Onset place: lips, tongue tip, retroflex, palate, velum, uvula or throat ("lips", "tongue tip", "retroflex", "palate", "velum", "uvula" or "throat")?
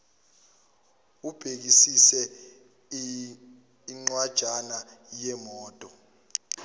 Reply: lips